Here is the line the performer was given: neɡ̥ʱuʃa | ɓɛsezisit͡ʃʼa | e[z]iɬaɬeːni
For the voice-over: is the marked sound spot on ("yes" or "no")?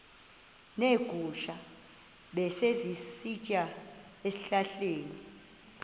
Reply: no